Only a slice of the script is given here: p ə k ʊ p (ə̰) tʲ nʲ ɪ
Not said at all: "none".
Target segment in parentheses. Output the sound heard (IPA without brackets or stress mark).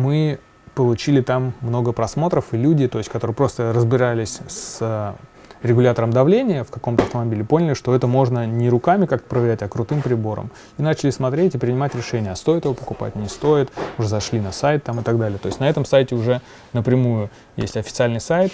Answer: a̰